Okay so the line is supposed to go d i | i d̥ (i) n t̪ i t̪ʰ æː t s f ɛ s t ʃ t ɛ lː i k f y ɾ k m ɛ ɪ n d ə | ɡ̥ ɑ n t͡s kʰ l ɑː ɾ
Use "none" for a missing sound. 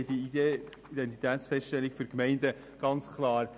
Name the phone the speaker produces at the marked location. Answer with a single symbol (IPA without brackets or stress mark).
ɛ